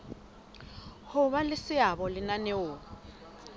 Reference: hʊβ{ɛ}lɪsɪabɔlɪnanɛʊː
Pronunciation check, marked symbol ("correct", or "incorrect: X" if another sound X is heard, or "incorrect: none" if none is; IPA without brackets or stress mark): incorrect: a